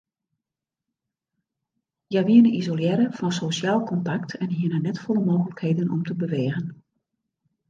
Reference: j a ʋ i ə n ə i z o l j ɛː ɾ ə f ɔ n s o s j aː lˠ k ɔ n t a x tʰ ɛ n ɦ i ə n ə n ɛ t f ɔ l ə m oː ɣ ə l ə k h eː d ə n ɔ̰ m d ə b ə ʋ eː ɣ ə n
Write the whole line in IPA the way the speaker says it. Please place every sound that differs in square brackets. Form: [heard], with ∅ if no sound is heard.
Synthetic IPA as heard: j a ʋ i ə n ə i z o l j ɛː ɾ ə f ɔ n s o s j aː lˠ k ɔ n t a [k] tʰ ɛ n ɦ i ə n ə n ɛ t f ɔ l ə m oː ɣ ə l ə k h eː d ə n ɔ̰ m [t] ə b ə ʋ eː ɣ ə n